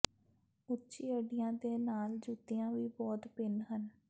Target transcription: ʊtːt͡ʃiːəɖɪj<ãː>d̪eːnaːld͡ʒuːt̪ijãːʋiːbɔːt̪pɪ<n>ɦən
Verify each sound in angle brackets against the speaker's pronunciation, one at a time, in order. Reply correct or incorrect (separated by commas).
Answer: correct, correct